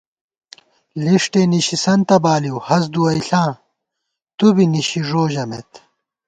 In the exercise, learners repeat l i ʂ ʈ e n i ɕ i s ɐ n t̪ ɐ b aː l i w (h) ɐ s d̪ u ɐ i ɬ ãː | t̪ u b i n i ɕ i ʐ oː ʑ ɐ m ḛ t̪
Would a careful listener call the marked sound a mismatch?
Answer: no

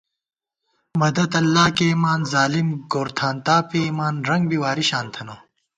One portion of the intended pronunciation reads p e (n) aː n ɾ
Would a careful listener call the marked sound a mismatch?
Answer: yes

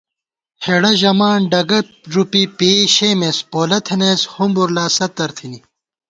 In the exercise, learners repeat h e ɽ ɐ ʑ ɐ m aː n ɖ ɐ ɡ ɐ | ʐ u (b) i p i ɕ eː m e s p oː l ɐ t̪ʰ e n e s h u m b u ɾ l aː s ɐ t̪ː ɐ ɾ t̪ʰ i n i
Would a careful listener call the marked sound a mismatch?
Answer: yes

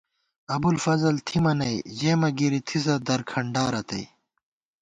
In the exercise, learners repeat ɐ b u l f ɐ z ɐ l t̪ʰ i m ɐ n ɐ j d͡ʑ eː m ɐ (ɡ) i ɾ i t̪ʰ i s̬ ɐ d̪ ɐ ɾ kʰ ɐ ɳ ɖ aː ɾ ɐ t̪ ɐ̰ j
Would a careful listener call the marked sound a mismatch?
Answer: no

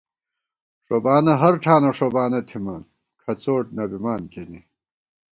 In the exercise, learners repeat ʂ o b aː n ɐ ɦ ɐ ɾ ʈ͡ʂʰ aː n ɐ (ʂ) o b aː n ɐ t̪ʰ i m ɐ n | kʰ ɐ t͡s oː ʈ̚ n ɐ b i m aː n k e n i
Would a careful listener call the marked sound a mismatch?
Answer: no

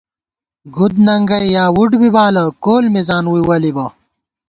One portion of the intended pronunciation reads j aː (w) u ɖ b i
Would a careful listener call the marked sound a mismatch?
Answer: no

